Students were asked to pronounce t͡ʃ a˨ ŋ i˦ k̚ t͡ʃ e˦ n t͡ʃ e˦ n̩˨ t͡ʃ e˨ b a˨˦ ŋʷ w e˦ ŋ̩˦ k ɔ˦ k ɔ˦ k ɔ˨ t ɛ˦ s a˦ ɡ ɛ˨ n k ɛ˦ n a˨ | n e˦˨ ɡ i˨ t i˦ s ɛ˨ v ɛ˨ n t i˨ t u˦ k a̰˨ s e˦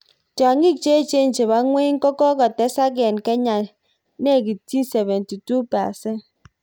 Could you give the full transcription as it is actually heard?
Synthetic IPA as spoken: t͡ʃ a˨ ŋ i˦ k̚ t͡ʃ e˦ t͡ʃ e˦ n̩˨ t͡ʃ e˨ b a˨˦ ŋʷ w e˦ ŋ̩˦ k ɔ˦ k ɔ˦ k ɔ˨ t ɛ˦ s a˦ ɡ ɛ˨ n k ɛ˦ ɲ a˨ | n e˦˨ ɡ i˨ t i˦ s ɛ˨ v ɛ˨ n t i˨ t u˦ p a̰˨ s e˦